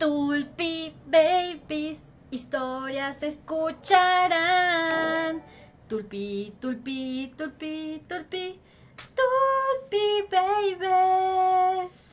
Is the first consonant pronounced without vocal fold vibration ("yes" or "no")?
yes